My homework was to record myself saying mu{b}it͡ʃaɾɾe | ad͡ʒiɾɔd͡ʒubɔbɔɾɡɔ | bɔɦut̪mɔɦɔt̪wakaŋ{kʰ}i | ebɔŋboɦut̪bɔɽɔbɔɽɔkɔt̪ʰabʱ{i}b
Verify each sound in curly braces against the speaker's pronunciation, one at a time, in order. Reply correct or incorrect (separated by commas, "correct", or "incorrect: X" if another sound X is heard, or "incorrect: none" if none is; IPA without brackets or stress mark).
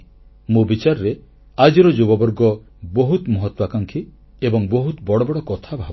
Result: correct, correct, incorrect: a